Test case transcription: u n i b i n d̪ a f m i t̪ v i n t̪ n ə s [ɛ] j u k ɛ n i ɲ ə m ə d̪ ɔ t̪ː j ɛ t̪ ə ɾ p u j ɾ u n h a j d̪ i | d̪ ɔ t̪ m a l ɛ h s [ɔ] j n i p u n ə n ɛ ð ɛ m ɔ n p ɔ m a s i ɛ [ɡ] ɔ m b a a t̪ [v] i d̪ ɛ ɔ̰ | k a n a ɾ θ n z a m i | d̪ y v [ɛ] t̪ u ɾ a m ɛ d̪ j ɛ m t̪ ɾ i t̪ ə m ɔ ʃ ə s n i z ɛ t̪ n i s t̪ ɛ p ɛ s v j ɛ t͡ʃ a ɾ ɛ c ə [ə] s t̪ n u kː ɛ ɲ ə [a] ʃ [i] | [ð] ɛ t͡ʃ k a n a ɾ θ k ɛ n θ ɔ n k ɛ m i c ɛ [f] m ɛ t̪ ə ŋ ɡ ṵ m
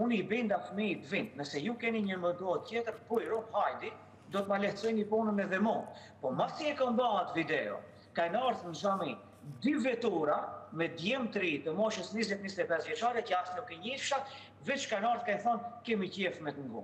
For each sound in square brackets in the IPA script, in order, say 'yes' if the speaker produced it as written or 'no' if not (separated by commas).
yes, yes, no, yes, yes, no, no, no, no, yes